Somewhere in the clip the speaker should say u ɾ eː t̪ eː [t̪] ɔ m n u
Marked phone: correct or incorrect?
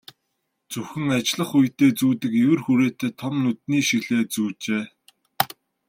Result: incorrect